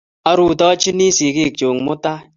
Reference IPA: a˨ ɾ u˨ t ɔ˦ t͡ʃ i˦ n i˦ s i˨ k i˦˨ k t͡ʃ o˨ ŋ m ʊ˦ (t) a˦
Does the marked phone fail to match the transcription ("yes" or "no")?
no